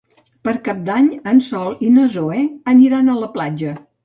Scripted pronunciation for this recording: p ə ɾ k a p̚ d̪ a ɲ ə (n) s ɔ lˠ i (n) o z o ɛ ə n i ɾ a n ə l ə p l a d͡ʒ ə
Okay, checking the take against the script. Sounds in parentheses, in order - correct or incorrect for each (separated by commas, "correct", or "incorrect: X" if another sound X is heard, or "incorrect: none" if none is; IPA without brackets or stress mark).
correct, correct